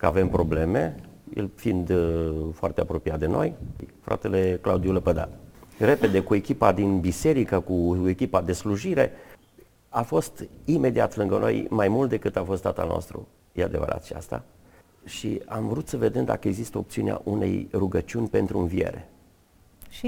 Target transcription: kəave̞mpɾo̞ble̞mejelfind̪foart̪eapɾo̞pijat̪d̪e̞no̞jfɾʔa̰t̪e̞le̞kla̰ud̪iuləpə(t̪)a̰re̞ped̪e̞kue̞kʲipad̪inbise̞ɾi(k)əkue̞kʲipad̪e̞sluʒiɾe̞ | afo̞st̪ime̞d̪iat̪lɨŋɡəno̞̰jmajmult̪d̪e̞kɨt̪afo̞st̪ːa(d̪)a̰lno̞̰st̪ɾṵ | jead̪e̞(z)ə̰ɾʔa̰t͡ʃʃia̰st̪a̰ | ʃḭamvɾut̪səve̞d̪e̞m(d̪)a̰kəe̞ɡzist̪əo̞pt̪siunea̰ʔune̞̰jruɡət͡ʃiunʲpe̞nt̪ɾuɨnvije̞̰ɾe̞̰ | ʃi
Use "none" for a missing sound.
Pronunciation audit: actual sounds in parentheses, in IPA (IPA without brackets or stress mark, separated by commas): d̪, k, t̪, v, d̪